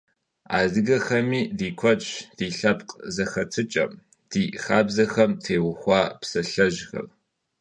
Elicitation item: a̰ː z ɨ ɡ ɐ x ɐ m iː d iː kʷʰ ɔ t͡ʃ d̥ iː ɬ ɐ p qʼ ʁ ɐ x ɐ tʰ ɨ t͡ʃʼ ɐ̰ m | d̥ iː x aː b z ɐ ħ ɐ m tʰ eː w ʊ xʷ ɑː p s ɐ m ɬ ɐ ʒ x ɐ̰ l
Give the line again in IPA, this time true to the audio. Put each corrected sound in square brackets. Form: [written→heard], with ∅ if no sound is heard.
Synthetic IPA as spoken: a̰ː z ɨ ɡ ɐ x ɐ m iː d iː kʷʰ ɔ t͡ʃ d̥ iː ɬ ɐ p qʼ [ʁ→z] ɐ x ɐ tʰ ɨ t͡ʃʼ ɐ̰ m | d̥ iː x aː b z ɐ [ħ→x] ɐ m tʰ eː w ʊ xʷ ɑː p s ɐ [m→∅] ɬ ɐ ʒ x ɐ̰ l